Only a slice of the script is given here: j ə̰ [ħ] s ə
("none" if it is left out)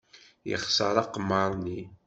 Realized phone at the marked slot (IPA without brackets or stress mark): χ